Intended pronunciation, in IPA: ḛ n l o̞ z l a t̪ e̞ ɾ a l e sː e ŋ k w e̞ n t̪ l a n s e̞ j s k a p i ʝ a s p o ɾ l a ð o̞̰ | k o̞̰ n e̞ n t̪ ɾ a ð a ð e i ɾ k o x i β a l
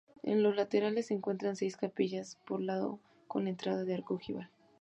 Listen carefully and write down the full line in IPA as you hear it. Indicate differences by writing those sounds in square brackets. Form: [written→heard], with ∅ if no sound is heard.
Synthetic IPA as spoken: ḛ n l o̞ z l a t̪ e̞ ɾ a l e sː e ŋ k w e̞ n t̪ [l→ɾ] a n s e̞ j s k a p i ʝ a s p o ɾ l a ð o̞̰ | k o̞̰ n e̞ n t̪ ɾ a ð a ð e [i→a] ɾ k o x i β a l